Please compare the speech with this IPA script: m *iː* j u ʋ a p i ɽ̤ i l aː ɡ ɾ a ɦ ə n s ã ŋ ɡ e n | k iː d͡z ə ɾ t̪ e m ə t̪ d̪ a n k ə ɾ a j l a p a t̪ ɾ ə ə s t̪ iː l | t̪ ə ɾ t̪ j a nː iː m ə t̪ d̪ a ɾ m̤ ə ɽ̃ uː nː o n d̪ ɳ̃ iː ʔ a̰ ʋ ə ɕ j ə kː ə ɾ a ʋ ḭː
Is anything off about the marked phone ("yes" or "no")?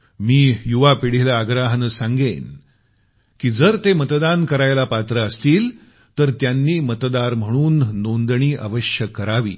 no